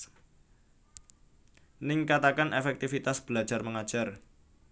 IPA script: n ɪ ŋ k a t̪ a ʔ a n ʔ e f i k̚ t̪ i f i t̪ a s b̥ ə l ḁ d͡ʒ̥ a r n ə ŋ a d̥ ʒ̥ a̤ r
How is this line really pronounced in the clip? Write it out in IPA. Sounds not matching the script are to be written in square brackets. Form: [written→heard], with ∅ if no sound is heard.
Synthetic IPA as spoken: n ɪ ŋ k a t̪ a [ʔ→k] a n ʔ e f [i→ɛ] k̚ t̪ i f i t̪ a s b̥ ə l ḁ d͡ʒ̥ a r [n→m] ə ŋ a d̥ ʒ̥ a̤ r